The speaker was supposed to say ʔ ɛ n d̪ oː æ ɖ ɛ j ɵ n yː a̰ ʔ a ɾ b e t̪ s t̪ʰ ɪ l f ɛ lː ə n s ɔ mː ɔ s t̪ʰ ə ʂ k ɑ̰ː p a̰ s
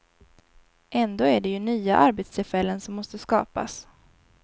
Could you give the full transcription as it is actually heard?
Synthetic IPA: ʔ ɛ n d̪ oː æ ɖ ɛ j ɵ n yː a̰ ʔ a ɾ b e t̪ s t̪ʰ ɪ l f ɛ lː ə n s ɔ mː ɔ s t̪ ə s k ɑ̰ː p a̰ s